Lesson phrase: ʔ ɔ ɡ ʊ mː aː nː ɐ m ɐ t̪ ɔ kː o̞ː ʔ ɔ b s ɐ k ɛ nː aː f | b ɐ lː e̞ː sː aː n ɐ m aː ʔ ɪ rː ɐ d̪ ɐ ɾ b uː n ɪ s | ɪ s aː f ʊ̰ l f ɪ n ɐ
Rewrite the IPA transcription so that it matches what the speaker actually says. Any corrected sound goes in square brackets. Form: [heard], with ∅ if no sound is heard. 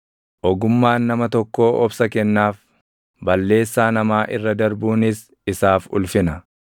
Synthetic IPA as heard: ʔ ɔ ɡ ʊ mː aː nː ɐ m ɐ t̪ ɔ kː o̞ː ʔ ɔ b s ɐ k ɛ nː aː f | b ɐ lː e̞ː sː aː n ɐ m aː ʔ ɪ rː ɐ d̪ ɐ ɾ b uː n ɪ s | ɪ s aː f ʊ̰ l f ɪ n ɐ